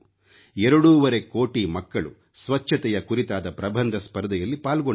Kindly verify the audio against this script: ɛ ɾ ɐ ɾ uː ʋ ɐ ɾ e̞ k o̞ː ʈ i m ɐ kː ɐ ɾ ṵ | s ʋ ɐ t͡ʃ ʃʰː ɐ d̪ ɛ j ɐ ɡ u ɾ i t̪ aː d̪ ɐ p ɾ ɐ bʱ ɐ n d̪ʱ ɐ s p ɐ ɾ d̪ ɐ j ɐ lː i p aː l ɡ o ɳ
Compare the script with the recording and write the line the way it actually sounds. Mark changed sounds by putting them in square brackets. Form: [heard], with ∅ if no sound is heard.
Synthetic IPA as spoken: ɛ ɾ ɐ [ɽ] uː ʋ ɐ ɾ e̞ k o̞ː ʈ i m ɐ kː ɐ [ɭ] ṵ | s ʋ ɐ t͡ʃ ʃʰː ɐ [t̪] ɛ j ɐ [k] u ɾ i t̪ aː d̪ ɐ p ɾ ɐ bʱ ɐ n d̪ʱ ɐ s p ɐ ɾ d̪ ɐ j ɐ lː i p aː l ɡ o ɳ